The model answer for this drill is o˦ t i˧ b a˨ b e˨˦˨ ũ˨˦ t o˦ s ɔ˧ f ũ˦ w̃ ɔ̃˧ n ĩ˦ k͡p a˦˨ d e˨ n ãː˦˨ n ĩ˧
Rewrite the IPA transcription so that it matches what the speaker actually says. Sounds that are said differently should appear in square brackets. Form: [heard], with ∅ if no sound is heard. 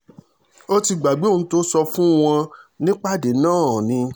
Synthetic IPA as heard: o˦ t i˧ [ɡ͡b] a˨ [ɡ͡b] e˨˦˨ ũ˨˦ t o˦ s ɔ˧ f ũ˦ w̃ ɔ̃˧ n ĩ˦ k͡p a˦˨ d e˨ n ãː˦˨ n ĩ˧

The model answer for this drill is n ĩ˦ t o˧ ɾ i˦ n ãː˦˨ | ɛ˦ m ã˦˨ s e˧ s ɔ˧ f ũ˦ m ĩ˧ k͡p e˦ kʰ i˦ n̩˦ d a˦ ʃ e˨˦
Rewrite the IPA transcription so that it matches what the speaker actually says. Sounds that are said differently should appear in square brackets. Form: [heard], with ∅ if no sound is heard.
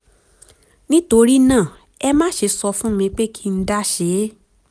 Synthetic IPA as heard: n ĩ˦ t o˧ ɾ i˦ n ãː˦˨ | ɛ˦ m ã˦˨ [ʃ] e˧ s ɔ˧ f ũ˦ m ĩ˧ k͡p e˦ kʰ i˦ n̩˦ d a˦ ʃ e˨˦

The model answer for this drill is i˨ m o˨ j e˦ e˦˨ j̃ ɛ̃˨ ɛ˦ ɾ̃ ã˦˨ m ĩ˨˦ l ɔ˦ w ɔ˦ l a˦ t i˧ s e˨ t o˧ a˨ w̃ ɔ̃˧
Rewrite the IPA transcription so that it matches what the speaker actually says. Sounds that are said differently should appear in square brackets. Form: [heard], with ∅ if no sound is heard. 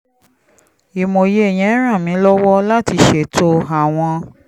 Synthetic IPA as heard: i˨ m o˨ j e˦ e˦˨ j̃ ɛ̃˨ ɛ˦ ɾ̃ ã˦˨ m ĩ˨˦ l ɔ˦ w ɔ˦ l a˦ t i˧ [ʃ] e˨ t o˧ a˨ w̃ ɔ̃˧

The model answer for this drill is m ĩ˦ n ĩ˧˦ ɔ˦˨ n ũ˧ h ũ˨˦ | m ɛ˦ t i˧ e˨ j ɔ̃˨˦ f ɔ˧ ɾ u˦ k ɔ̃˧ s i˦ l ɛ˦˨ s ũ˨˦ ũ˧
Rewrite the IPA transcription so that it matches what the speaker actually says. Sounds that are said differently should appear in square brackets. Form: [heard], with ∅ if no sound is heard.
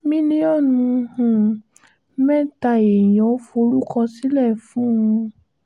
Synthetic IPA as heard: m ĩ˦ n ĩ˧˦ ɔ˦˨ n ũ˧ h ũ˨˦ | m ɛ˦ t [a˧] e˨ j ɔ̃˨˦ f [o˧] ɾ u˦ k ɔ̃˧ s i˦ l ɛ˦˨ [f] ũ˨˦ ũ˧

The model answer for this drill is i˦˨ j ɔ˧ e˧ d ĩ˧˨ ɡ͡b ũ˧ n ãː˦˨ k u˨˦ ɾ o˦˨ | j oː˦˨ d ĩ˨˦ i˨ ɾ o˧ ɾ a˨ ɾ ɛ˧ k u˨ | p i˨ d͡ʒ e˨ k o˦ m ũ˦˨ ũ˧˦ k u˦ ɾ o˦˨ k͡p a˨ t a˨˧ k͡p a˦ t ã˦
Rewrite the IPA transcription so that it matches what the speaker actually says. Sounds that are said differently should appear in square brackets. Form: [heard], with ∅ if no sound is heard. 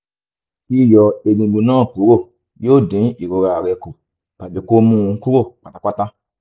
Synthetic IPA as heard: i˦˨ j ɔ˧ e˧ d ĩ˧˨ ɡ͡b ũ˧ n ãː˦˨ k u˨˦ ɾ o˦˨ | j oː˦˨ d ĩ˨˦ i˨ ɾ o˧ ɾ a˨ ɾ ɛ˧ k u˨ | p [a˨] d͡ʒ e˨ k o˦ m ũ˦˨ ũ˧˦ k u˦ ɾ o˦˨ k͡p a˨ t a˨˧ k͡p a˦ t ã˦

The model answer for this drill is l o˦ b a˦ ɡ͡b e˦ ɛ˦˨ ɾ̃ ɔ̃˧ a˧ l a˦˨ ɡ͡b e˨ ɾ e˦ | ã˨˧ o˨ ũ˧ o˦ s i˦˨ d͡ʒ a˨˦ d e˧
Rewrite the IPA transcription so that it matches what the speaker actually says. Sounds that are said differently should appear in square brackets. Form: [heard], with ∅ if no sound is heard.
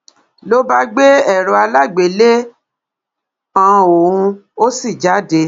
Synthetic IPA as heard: l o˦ b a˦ ɡ͡b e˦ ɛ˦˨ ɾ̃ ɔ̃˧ a˧ l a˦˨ ɡ͡b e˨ [l] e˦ | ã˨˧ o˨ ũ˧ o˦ s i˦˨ d͡ʒ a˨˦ d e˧

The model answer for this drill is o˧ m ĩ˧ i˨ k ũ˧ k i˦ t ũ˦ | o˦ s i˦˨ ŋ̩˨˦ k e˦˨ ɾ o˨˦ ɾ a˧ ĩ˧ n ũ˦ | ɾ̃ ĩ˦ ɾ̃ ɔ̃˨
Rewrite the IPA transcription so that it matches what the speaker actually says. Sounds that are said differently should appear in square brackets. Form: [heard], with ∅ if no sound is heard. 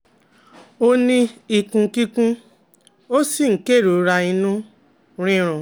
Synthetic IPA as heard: o˧ [n] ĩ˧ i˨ k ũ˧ k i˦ [k] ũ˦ | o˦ s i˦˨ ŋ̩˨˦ k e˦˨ ɾ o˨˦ ɾ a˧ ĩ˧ n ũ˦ | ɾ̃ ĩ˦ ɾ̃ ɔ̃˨

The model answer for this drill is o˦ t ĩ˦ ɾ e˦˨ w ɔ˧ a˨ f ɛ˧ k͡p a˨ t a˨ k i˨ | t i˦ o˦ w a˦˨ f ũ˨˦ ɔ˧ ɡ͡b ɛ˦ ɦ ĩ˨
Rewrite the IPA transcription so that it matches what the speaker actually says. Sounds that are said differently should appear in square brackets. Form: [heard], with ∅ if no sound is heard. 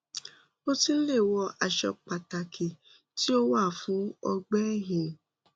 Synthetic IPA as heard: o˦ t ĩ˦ [l] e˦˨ w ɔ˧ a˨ [ʃ] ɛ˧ k͡p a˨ t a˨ k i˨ | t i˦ o˦ w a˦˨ f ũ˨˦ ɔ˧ ɡ͡b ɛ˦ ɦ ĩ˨

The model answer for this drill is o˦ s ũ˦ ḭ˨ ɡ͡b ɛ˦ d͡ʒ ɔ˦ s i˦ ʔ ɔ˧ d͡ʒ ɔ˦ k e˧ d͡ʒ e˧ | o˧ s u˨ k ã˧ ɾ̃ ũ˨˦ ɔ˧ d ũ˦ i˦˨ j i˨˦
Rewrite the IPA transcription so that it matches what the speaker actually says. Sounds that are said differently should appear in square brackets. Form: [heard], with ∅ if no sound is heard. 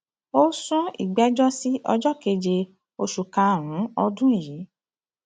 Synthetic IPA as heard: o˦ s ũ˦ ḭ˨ ɡ͡b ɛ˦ d͡ʒ ɔ˦ s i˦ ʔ ɔ˧ d͡ʒ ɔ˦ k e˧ d͡ʒ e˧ | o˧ [ʃ] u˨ k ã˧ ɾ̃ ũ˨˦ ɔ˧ d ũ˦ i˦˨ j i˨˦

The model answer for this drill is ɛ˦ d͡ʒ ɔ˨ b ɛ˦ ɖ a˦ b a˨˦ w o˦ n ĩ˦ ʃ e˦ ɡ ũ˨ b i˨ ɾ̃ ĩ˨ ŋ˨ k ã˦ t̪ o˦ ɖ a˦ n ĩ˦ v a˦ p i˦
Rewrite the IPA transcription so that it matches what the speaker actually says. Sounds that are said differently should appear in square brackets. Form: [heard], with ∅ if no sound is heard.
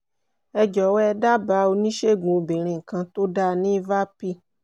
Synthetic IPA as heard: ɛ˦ d͡ʒ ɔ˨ [w] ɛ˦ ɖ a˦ b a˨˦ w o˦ n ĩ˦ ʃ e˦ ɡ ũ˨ b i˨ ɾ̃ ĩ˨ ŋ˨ k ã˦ t̪ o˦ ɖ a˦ n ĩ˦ v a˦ p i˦

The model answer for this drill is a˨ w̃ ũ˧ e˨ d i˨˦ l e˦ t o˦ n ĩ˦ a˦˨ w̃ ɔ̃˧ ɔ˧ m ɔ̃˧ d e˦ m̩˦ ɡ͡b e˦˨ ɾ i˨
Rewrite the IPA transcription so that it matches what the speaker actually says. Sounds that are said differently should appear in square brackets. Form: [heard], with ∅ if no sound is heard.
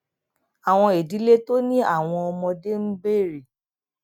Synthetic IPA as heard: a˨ w̃ [ɔ̃˧] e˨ d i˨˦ l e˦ t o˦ n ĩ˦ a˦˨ w̃ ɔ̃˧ ɔ˧ m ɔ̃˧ d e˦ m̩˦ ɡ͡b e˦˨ ɾ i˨

